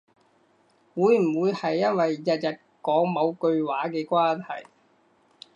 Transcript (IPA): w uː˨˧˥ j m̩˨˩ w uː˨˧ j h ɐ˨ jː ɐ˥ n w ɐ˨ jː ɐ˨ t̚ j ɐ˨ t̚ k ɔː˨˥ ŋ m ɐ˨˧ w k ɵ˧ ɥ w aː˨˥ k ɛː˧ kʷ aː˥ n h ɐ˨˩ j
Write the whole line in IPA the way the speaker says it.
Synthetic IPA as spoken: w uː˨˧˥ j m̩˨˩ w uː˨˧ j h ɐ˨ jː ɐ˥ n w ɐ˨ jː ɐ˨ t̚ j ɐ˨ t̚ k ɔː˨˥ ŋ m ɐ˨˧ w k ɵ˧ ɥ w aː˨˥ k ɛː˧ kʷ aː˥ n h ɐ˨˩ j